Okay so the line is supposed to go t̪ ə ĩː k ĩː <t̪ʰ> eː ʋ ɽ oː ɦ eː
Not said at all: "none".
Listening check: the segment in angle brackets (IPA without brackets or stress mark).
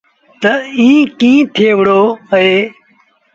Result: t̪ʰ